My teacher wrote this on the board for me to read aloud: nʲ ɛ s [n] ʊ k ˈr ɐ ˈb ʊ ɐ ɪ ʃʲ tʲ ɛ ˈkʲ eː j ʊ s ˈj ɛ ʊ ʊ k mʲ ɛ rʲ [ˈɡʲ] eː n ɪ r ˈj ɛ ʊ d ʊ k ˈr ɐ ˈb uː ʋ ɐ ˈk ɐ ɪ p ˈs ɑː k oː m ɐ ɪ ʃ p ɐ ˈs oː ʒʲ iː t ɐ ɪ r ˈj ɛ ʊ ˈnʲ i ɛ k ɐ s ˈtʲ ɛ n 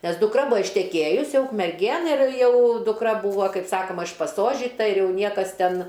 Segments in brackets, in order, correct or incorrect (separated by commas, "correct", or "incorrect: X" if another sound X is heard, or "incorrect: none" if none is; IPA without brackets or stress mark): incorrect: d, correct